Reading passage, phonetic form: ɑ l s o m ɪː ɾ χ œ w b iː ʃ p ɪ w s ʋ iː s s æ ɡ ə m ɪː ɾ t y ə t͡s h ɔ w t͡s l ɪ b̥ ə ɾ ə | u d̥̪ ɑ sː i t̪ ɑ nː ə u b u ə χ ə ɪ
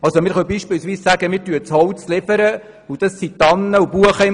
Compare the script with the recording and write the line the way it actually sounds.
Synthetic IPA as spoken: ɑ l s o m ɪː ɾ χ œ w b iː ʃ p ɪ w s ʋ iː s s æ ɡ ə m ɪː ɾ t y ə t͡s h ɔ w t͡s l ɪ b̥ ə ɾ ə | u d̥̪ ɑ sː i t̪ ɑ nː ə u b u ə χ ə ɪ

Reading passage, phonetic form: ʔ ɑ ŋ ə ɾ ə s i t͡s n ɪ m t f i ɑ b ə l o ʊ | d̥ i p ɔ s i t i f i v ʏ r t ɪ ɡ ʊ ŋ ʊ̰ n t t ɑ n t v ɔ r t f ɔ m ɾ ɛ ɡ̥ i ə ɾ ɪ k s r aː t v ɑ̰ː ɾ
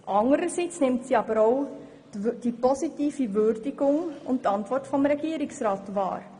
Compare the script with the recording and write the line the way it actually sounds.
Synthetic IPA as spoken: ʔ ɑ ŋ ə ɾ ə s i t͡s n ɪ m t s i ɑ b ə ɾ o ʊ | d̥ i p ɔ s i t iː f i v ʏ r d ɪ ɡ ʊ ŋ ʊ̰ n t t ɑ n t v ɔ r t f ɔ m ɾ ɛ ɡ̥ i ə ɾ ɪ k s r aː t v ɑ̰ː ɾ

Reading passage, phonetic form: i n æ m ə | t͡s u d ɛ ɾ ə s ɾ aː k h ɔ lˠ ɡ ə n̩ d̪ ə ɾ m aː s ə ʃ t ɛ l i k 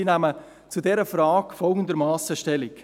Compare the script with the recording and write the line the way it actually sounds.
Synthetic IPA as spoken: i n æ m ə | t͡s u d ɛ ɾ ə f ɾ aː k f ɔ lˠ ɡ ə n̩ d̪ ə ɾ m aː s ə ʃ t ɛ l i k

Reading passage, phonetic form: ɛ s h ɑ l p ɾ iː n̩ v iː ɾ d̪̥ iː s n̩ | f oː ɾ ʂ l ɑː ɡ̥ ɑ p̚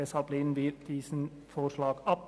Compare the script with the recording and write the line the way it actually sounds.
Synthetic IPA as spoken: ɛ s h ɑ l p l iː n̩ ʋ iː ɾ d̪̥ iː s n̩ | f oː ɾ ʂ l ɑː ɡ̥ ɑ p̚

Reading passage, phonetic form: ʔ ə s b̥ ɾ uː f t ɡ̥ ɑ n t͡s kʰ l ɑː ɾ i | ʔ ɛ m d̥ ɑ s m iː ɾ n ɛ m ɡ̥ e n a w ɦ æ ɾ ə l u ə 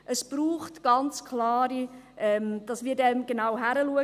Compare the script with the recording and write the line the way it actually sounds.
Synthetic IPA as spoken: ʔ ə s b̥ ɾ uː χ t ɡ̥ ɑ n t͡s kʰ l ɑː ɾ i | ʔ ɛ m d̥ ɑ s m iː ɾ d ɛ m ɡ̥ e n a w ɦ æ ɾ ə l u ə

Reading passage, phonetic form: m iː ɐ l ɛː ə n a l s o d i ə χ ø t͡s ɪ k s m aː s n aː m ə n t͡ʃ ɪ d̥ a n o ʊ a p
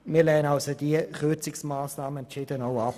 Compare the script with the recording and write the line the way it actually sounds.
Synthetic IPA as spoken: m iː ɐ l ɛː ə n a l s o d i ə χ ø t͡s ɪ k s m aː s n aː m ə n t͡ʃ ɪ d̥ ə n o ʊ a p

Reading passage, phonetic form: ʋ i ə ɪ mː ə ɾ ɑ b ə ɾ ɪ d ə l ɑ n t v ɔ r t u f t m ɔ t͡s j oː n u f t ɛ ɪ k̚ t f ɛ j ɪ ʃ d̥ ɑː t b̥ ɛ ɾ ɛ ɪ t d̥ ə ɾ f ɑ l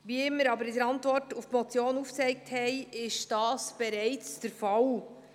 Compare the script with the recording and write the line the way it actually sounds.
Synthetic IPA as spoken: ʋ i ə ɪ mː ə ɾ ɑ b ə ɾ ɪ d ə ɾ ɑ n t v ɔ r t u f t m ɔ t͡s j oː n u f t͡s ɛ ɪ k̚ t h ɛ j ɪ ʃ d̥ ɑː s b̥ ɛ ɾ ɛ ɪ t͡s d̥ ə ɾ f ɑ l

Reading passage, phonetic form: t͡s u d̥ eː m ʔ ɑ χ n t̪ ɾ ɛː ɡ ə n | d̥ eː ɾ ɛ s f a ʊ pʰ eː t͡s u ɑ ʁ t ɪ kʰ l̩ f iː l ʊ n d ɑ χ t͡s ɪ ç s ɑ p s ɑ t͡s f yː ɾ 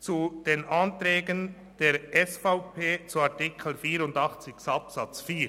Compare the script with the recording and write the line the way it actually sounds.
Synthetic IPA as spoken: t͡s u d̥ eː n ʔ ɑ n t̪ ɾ ɛː ɡ ə n | d̥ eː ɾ ɛ s f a ʊ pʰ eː t͡s u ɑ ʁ t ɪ kʰ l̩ f iː ɾ ʊ n d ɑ χ t͡s ɪ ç s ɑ p s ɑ t͡s f iː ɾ

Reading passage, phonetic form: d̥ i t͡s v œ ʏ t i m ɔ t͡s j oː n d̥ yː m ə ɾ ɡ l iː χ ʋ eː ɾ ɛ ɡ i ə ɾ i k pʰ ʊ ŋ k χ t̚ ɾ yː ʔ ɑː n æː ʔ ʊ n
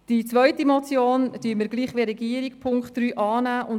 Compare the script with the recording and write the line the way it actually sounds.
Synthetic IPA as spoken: d̥ i t͡s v œ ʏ t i m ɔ t͡s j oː n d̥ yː m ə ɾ ɡ l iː χ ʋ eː ɾ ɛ ɡ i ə ɾ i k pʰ ʊ ŋ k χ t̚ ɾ yː ʔ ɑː n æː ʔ ʊ n

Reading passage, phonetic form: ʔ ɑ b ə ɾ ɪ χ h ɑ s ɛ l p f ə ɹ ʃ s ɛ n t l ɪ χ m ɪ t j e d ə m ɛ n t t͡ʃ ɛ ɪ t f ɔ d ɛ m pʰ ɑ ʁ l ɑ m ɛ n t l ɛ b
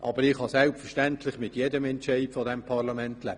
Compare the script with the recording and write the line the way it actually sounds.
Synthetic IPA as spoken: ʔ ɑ b ə ɾ ɪ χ h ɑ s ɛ l p f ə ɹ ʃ t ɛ n t l ɪ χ m ɪ t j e d ə m ɛ n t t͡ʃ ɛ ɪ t f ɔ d ɛ m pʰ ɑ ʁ l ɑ m ɛ n t l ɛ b

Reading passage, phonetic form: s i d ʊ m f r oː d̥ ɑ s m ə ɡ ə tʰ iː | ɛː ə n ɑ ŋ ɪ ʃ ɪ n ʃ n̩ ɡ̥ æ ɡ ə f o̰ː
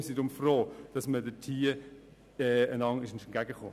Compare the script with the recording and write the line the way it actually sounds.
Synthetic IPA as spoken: s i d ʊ m f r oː d̥ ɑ s m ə d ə tʰ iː | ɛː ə n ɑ ŋ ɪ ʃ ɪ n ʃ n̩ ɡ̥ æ ɡ ə χ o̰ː

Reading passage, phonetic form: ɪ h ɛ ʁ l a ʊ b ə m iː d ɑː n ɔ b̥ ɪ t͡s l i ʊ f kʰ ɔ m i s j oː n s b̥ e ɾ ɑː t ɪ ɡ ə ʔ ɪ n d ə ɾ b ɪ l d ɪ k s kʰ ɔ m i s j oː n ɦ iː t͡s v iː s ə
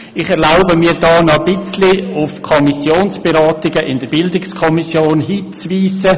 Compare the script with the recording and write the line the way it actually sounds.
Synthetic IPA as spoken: ɪ χ ɛ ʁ l a ʊ b ə m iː d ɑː n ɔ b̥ ɪ t͡s l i ʊ f kʰ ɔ m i s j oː n s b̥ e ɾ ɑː t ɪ ɡ ə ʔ ɪ n d ə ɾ b ɪ l d ɪ k s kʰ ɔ m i s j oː n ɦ iː t͡s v iː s ə

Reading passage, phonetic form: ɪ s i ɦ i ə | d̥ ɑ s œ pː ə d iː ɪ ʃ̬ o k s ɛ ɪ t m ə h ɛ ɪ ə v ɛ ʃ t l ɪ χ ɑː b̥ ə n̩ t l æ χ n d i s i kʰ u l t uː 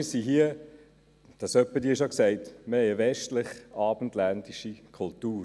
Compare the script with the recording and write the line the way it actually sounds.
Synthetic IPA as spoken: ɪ s i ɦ i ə | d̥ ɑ s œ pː ə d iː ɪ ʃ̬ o k s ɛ ɪ t m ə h ɛ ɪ ə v ɛ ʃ t l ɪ χ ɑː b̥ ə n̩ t l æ n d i ʃ i kʰ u l t uː

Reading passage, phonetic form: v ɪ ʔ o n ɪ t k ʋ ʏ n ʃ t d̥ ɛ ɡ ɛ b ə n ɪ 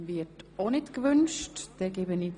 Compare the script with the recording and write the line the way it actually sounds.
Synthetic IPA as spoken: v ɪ t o n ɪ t k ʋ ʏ n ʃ t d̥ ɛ ɡ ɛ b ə n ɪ

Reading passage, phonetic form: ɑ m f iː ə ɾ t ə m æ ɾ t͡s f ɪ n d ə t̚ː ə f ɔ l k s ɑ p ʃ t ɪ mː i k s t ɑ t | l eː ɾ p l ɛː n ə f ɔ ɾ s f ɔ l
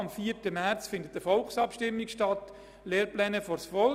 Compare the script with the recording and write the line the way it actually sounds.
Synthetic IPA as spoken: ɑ m f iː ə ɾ t ə m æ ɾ t͡s f ɪ n d ə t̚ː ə f ɔ l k s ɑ p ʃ t ɪ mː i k ʃ t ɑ t | l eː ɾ p l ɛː n ə f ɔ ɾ s f ɔ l

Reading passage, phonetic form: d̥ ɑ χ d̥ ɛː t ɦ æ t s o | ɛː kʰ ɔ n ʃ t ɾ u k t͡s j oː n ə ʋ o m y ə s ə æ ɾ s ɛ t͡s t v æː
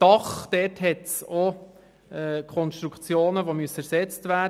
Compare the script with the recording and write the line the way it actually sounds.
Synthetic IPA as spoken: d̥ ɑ χ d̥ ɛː t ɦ ɛ t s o | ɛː kʰ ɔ n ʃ t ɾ u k t͡s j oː n ə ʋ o m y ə s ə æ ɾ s ɛ t͡s t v æː

